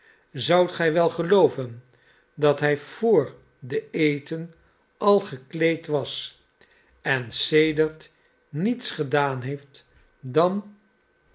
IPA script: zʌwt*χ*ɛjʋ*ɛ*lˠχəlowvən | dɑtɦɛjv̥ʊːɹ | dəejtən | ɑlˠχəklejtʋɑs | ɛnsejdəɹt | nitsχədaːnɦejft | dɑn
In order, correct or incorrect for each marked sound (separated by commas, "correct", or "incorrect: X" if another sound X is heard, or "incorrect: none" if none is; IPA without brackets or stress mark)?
correct, correct